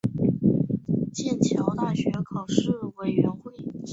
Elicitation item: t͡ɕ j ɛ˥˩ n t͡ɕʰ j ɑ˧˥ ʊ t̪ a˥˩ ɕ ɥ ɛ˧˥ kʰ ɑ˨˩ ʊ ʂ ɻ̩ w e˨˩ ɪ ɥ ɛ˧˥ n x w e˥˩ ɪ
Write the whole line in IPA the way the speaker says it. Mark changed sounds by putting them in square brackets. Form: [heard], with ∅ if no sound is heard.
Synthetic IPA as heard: t͡ɕ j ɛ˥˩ n t͡ɕʰ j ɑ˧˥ ʊ t̪ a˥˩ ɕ ɥ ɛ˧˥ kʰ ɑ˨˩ ʊ ʂ ɻ̩ w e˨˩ ɪ ɥ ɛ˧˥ n x w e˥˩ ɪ